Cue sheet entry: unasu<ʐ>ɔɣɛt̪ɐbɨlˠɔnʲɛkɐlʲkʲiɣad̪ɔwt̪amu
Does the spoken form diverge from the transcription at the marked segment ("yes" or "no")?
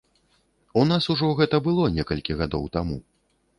no